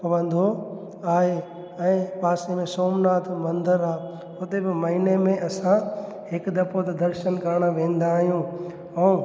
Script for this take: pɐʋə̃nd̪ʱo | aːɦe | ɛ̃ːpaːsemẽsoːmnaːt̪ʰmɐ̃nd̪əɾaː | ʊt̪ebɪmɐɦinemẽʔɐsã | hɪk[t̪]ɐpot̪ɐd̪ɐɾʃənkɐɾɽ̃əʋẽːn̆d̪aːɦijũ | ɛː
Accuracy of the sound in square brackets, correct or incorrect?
incorrect